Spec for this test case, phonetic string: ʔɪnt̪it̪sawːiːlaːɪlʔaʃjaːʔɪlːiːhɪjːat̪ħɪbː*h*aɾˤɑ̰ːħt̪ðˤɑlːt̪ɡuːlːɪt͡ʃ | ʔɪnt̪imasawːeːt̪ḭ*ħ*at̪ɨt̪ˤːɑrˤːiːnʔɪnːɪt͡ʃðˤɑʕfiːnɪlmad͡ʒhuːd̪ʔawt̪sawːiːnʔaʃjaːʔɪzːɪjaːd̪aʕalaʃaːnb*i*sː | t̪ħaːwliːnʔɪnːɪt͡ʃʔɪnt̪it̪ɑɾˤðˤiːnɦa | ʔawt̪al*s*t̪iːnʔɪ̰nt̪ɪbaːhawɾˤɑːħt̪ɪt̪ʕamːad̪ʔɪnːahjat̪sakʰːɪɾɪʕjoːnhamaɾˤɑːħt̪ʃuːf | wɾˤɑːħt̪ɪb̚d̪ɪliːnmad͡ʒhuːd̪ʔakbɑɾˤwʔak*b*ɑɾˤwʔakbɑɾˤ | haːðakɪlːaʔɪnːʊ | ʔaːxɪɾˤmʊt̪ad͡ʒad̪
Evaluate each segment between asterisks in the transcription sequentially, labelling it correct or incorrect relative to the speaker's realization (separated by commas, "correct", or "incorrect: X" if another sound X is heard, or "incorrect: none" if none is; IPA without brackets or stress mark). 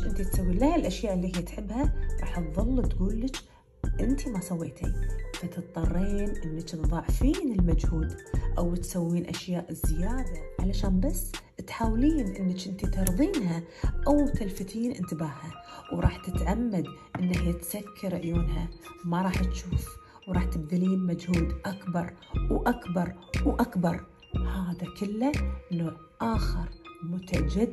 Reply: correct, incorrect: f, incorrect: a, incorrect: f, correct